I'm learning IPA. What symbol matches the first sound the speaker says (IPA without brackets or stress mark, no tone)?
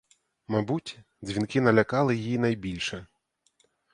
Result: m